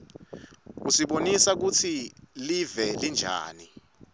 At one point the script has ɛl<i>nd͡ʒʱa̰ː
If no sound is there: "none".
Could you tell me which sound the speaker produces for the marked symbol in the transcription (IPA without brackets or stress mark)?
i